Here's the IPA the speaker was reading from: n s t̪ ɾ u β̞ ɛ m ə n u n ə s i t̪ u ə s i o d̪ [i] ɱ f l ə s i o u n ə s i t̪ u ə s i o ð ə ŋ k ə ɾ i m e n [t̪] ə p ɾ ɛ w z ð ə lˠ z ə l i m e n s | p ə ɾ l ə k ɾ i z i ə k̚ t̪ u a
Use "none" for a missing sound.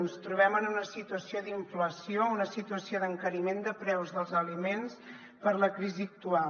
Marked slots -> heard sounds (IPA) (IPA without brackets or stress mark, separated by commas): i, d̪